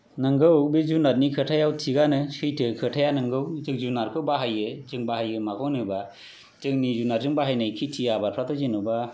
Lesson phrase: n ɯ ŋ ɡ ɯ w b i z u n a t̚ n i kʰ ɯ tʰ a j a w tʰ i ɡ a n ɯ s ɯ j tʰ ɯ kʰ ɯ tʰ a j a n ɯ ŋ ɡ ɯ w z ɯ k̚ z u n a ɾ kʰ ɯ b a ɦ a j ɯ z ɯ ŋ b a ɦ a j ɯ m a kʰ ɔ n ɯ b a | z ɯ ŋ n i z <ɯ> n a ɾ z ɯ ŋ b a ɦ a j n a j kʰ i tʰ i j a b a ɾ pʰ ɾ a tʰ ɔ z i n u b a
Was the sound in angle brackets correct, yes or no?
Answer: no